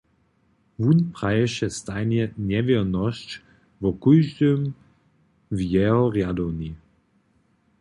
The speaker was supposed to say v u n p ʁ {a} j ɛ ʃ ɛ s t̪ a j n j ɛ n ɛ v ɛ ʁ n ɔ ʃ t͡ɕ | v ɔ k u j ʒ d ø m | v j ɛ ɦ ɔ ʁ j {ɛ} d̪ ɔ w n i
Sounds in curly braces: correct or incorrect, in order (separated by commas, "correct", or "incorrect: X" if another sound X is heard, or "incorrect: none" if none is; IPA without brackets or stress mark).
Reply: correct, incorrect: a